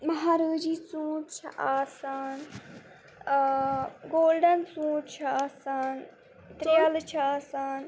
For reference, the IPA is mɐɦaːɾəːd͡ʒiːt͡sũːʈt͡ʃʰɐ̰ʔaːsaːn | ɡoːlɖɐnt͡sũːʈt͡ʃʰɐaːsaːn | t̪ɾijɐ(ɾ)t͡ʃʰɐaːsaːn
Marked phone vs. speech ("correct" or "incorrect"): incorrect